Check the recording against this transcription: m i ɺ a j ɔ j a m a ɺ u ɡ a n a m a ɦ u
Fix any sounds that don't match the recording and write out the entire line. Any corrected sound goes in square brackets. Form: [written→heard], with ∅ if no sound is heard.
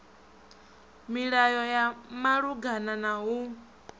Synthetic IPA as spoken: m i ɺ a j ɔ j a m a ɺ u ɡ a n a [m→n] a ɦ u